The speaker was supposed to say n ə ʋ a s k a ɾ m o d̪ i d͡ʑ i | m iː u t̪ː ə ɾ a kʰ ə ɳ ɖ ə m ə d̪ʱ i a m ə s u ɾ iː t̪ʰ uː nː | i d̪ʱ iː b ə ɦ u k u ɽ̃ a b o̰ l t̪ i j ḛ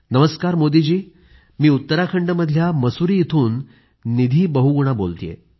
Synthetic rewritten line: n ə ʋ ə s k a ɾ m o d̪ i d͡ʑ iː | m iː u t̪ː ə ɾ a kʰ ə ɳ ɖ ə m ə d̪ʱ j a m ə s u ɾ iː t̪ʰ uː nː | i d̪ʱ iː b ə ɦ u ɡ u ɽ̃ a b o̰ l t̪ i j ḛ